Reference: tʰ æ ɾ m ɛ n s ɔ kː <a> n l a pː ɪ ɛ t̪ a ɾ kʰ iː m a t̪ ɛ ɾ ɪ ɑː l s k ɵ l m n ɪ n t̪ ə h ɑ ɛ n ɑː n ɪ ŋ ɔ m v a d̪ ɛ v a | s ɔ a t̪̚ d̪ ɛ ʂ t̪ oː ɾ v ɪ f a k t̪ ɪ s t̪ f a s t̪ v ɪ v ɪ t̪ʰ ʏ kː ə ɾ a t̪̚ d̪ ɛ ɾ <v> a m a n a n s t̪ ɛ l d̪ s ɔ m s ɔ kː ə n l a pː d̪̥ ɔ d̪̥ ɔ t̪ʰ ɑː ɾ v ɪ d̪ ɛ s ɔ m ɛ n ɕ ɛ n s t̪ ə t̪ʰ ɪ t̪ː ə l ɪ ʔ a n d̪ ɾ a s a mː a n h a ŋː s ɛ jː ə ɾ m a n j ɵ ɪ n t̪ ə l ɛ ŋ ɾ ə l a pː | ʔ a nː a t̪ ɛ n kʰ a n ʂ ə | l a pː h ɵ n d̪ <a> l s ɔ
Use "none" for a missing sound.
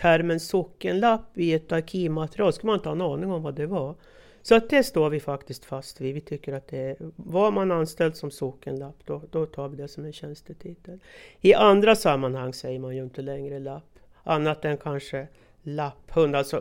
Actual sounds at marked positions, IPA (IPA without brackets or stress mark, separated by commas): ə, v, a